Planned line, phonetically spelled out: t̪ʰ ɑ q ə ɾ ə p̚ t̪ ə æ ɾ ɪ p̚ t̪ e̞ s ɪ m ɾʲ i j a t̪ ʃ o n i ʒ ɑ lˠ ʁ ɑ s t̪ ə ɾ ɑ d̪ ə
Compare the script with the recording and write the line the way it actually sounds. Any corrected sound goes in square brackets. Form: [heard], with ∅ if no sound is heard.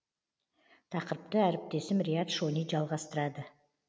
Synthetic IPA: t̪ʰ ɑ q ə ɾ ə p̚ t̪ ə æ ɾ ɪ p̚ t̪ e̞ s ɪ m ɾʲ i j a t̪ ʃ o n i ʒ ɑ lˠ ʁ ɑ s t̪ ə ɾ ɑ d̪ ə